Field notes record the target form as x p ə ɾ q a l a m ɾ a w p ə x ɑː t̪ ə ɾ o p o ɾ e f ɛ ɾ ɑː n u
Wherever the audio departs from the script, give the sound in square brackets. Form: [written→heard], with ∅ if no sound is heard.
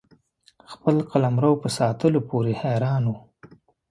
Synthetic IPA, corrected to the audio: x p ə [ɾ→l] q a l a m ɾ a w p ə [x→s] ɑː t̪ ə [ɾ→l] o p o ɾ e [f→h] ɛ ɾ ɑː n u